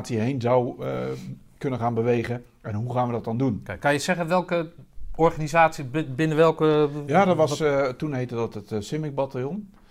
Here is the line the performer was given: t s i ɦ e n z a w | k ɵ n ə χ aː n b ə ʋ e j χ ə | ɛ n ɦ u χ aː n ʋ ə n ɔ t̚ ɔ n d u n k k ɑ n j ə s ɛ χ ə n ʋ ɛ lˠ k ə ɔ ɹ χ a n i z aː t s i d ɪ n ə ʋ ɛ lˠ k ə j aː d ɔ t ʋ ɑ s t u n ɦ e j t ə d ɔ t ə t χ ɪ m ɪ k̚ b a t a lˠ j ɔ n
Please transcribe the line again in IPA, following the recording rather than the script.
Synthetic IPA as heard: t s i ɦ e n z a w | k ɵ n ə χ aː n b ə ʋ e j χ ə | ɛ n ɦ u χ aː n ʋ ə d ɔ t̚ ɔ n d u n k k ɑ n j ə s ɛ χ ə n ʋ ɛ lˠ k ə ɔ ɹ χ a n i z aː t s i b ɪ n ə ʋ ɛ lˠ k ə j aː d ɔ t ʋ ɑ s t u n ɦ e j t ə d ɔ t ə t s ɪ m ɪ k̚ b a t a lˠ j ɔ n